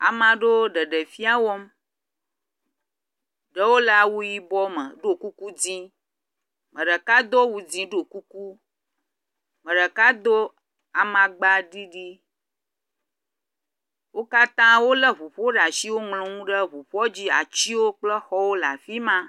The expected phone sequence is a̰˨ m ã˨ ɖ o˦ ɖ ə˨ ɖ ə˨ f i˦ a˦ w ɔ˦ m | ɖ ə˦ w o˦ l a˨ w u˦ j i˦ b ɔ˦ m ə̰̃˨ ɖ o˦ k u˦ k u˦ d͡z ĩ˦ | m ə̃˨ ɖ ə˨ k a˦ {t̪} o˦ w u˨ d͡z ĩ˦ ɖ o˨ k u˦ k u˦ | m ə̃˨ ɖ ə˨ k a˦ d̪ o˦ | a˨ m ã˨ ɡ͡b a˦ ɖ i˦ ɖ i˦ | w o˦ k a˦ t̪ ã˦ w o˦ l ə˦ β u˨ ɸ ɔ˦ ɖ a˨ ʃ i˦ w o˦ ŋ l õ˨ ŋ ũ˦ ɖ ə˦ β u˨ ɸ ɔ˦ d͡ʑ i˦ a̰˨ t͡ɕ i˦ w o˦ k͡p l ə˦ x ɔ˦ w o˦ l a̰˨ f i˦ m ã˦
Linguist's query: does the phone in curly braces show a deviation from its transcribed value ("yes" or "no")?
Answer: yes